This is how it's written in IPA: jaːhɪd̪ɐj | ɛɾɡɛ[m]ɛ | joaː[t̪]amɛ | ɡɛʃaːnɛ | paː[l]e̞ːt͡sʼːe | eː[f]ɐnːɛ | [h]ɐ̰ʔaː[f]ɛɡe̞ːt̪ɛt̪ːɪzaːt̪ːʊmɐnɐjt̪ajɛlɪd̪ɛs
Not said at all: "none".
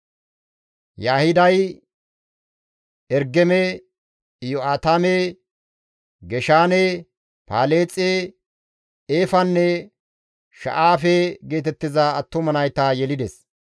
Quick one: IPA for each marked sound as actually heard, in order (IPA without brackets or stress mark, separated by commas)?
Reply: m, t̪, l, f, ʃ, f